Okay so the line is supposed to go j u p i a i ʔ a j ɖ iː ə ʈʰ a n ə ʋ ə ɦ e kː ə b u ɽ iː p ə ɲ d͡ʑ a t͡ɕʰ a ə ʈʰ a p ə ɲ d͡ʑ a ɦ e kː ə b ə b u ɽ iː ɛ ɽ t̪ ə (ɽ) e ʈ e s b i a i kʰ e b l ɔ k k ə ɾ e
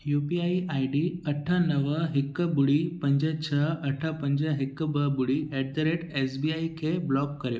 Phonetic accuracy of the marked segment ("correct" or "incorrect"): incorrect